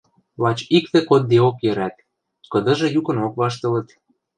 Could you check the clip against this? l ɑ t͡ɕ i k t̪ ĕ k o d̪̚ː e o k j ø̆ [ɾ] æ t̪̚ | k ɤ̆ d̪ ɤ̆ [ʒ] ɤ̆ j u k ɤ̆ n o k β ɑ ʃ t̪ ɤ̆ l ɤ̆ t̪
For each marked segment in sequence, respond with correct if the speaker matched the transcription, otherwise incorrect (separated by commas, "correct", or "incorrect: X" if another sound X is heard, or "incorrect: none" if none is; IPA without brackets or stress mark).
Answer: correct, correct